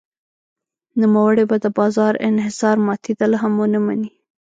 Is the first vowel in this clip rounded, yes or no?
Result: yes